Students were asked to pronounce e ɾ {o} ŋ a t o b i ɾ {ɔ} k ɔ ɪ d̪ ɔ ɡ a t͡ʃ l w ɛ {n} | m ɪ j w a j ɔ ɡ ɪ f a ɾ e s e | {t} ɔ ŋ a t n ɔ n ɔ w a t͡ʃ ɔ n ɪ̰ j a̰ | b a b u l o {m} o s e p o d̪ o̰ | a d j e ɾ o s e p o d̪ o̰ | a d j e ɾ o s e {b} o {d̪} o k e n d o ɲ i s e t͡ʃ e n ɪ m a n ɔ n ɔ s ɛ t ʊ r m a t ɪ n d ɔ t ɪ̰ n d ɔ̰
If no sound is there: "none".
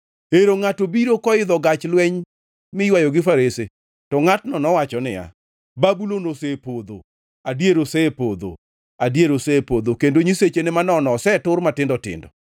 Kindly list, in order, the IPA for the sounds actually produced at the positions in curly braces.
o, o, ɲ, t, n, p, d̪

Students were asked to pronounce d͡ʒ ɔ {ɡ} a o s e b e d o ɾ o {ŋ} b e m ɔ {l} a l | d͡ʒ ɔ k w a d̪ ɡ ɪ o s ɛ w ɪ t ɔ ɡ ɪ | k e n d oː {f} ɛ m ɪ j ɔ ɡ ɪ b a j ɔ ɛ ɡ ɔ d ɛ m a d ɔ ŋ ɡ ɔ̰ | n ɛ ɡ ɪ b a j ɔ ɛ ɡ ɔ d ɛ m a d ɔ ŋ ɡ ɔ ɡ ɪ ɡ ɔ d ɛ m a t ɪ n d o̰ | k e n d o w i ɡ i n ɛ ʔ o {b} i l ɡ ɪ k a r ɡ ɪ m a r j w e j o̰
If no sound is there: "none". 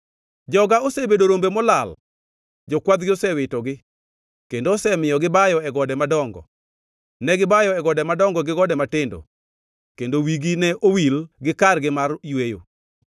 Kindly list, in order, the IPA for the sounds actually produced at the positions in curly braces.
ɡ, m, l, s, w

